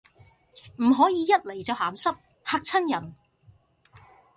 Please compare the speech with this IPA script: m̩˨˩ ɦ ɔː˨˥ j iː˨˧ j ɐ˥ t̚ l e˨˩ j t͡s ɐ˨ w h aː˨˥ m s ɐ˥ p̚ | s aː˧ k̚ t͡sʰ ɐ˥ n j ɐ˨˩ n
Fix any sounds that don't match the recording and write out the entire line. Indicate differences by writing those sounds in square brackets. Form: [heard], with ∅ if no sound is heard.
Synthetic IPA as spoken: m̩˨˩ ɦ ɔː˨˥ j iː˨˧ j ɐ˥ t̚ l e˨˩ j t͡s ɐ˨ w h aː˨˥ m s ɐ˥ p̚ | [h] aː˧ k̚ t͡sʰ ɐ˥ n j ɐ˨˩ n